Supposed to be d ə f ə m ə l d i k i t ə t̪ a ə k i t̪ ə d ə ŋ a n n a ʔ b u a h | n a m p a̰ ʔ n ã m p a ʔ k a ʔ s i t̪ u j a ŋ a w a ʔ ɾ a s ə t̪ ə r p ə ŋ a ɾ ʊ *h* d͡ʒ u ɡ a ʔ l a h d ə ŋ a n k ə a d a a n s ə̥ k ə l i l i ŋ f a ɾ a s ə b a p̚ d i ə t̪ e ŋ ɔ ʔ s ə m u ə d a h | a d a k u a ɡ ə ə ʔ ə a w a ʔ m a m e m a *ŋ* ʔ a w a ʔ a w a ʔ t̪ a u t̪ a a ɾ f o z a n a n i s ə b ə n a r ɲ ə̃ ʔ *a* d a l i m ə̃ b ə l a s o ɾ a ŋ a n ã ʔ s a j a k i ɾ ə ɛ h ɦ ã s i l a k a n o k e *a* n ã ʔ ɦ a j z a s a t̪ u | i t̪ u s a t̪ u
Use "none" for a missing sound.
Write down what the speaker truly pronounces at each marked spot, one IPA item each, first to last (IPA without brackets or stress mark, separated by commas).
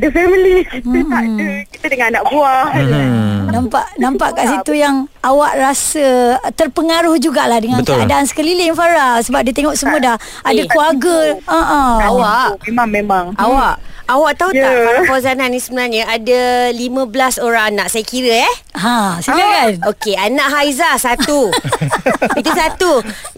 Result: h, ŋ, a, a